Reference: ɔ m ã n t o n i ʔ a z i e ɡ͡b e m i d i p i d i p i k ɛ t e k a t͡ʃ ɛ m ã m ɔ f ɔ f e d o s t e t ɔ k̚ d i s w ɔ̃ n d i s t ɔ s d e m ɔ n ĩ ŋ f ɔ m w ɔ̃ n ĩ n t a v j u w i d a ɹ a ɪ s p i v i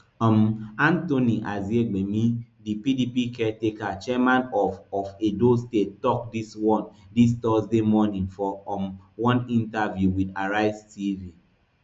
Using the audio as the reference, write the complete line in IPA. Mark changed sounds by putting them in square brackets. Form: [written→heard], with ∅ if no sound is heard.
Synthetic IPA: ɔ m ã n t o n i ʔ a z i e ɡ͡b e m i d i p i d i p i k ɛ t e k a t͡ʃ ɛ m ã [m→n] ɔ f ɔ f e d o s t e t ɔ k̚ d i s w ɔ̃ n d i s t ɔ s d e m ɔ n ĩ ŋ f ɔ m w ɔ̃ n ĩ n t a v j u w i d a ɹ a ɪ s [p→t] i v i